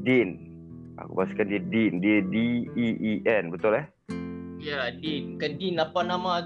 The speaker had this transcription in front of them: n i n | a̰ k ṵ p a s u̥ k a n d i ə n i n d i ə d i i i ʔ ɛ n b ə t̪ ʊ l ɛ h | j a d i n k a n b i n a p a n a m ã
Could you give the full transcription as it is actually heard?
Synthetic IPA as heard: d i n | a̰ k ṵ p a s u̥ k a n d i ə d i n d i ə d i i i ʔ ɛ n b ə t̪ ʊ l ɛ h | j a d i n k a n d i n a p a n a m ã